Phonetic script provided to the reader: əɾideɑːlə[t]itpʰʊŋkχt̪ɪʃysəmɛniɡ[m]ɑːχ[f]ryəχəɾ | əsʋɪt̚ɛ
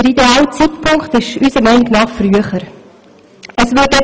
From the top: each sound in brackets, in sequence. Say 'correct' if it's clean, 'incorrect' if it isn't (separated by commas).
incorrect, incorrect, correct